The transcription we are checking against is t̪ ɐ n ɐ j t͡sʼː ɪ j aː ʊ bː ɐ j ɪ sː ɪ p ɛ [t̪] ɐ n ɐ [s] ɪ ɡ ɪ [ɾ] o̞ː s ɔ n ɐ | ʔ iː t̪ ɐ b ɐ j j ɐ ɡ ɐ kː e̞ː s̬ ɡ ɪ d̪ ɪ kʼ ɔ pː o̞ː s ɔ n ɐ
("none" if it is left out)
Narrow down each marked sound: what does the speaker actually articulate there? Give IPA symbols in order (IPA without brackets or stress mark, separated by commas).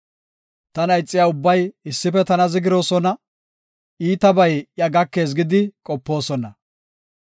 t̪, z, ɾ